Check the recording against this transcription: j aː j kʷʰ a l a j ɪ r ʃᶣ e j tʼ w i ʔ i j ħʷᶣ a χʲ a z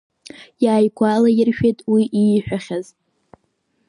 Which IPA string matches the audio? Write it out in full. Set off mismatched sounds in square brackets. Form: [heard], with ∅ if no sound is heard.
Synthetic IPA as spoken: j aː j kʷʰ a l a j ɪ r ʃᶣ e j tʼ w i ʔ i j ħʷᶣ a χʲ a z